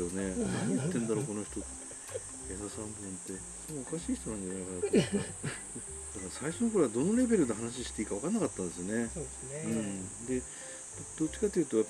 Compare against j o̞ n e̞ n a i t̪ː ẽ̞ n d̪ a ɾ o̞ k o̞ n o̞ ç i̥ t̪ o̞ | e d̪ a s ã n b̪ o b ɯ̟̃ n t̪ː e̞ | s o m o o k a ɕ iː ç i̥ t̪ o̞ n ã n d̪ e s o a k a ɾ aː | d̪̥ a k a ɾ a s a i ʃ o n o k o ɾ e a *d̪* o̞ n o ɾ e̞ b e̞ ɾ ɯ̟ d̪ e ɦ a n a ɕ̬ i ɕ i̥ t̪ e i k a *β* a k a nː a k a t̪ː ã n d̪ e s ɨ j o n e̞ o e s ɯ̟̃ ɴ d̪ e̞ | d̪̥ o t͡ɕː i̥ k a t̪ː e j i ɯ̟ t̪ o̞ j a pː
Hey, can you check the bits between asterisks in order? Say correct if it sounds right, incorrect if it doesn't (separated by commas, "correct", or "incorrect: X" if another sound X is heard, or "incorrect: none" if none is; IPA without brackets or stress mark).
correct, correct